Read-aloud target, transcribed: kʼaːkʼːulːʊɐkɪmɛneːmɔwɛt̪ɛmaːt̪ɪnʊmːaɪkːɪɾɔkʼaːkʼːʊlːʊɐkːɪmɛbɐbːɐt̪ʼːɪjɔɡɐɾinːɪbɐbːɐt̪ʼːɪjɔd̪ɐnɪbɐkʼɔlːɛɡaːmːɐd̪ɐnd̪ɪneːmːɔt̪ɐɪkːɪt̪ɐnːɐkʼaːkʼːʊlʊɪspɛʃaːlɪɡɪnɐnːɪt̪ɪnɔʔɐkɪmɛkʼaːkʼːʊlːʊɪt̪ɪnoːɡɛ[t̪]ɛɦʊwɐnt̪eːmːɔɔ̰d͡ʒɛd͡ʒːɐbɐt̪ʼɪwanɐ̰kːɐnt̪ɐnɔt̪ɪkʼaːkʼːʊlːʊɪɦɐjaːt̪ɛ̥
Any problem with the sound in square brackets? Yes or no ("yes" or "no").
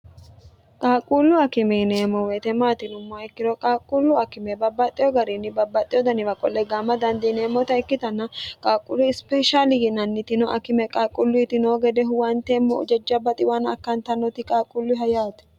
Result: yes